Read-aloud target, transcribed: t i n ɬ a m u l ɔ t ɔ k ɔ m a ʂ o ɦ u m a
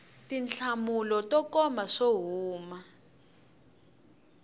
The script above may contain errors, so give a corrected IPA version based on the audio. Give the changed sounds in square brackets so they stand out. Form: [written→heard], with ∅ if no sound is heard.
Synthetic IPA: t i n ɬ a m u l ɔ t ɔ k ɔ m a ʂ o ɦ [u→uː] m a